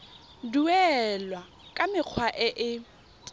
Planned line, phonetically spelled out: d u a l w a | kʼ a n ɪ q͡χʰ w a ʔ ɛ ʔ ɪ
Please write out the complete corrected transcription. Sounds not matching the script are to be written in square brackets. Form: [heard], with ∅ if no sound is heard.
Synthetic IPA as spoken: d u [ɛ] l w a | kʼ a [m] ɪ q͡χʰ w a ʔ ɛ ʔ ɪ